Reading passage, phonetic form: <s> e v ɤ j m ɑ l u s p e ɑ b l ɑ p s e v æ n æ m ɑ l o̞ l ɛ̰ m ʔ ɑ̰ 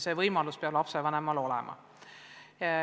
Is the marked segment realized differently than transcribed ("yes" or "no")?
no